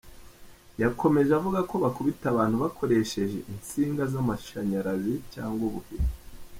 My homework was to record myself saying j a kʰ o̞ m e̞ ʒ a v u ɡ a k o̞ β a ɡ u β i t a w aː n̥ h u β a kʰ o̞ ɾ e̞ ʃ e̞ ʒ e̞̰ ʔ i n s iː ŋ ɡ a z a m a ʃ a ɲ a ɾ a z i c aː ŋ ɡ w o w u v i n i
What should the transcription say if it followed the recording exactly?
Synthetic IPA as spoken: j a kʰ o̞ m e̞ ʒ a v u ɡ a k o̞ β a k u β i t a β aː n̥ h u β a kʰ o̞ ɾ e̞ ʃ e̞ ʒ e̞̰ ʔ i n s iː ŋ ɡ a z a m a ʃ a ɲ a ɾ a z i c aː ŋ ɡ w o β u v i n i